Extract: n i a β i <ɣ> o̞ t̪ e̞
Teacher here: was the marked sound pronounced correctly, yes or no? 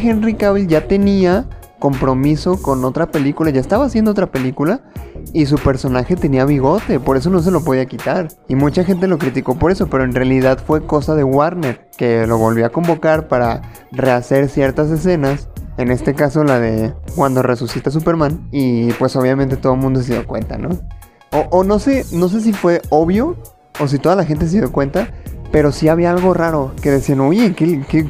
yes